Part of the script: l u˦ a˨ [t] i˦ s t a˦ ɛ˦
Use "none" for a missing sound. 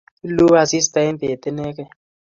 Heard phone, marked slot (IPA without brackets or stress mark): s